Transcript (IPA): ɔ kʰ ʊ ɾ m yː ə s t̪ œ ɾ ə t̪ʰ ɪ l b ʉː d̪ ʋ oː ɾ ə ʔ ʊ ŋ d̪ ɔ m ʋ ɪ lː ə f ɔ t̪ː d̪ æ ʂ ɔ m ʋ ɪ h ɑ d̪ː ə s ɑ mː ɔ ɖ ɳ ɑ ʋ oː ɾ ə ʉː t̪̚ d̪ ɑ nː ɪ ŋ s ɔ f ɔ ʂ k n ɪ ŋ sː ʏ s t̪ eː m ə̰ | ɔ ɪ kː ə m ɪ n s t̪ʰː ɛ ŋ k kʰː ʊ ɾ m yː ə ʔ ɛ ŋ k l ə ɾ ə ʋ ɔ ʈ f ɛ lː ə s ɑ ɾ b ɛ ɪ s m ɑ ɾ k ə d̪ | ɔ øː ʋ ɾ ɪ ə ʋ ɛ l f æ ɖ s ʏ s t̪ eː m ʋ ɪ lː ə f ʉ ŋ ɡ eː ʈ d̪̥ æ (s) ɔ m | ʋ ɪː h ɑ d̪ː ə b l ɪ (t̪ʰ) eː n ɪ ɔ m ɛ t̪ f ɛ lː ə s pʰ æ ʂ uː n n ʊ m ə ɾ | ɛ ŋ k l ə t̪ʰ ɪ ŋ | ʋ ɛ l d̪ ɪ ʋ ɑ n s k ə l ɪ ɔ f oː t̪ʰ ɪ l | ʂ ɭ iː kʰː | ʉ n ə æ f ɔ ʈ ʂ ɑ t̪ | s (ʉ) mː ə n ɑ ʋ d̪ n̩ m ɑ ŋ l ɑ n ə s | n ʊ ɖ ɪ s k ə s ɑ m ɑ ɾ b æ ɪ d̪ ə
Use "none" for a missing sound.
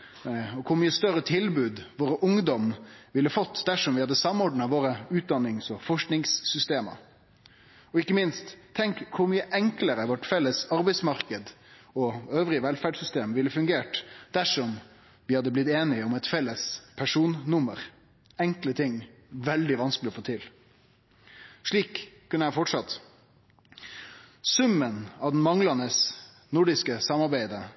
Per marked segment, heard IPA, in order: ʂ, t̪, ʉ

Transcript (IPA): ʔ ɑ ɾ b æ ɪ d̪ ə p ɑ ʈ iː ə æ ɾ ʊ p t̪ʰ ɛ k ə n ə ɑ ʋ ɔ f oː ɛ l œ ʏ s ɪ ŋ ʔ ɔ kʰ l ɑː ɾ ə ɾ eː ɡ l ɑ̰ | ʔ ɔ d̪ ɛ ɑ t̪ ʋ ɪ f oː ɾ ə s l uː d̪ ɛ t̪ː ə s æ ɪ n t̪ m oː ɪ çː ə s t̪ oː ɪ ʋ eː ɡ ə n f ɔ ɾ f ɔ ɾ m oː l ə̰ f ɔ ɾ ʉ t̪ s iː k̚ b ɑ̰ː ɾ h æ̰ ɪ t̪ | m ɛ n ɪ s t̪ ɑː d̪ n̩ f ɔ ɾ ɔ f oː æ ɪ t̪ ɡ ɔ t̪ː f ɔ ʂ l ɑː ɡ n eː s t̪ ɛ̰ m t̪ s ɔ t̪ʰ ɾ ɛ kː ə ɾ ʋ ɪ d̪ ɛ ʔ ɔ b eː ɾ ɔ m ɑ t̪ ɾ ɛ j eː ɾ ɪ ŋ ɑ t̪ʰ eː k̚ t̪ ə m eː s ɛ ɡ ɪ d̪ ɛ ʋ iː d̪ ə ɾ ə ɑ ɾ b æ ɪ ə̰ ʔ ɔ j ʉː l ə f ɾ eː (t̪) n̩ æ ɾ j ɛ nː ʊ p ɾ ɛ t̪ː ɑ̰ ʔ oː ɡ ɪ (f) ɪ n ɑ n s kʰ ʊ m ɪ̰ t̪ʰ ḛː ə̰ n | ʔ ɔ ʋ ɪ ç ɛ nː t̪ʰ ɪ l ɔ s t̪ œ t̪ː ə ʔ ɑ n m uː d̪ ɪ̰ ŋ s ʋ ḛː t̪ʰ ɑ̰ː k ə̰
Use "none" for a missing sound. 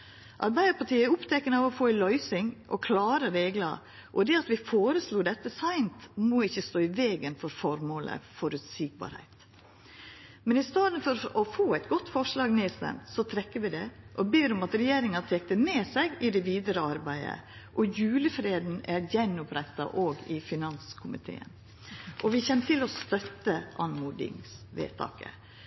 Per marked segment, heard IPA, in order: d̪, f

